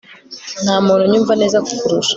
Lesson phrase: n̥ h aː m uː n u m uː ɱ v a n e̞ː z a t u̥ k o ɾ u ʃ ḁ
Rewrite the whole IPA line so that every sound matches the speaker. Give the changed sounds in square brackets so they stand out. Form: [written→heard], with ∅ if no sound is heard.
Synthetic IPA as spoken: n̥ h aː m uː n u [m→ɲ] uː ɱ v a n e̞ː z a [t→k] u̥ k [o→u] ɾ u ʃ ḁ